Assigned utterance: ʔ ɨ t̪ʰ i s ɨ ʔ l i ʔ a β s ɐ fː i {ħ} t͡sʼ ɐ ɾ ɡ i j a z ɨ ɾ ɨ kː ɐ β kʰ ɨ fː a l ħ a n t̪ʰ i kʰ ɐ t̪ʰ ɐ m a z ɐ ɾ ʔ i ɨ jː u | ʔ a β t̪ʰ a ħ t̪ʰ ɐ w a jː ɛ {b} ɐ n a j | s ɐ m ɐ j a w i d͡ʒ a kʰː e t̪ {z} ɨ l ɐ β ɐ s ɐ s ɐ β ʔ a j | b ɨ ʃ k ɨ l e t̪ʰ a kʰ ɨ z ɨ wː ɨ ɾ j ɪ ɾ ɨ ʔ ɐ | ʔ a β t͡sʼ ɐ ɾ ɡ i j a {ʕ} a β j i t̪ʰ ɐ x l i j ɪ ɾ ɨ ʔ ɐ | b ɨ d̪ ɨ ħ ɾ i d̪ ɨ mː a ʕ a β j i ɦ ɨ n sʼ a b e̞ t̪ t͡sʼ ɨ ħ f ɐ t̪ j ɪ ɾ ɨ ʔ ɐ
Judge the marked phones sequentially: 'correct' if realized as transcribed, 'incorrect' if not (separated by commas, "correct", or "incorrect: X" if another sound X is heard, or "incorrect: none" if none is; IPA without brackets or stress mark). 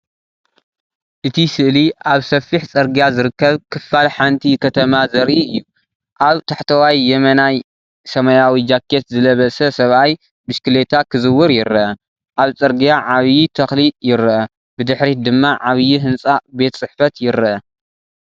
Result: correct, incorrect: m, correct, correct